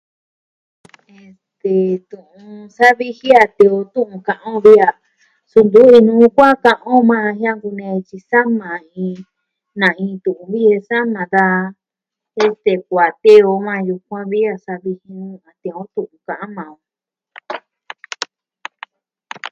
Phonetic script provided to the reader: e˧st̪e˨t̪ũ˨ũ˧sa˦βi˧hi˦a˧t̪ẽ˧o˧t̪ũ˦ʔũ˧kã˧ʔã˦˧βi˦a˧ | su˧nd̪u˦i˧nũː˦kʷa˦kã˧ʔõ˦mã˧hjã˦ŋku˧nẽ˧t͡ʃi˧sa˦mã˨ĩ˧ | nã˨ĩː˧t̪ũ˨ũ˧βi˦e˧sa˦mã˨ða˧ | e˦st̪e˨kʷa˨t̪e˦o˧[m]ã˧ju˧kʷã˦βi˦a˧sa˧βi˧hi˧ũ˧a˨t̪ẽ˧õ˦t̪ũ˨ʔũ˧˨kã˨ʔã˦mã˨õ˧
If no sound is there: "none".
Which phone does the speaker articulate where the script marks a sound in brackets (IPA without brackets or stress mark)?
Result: m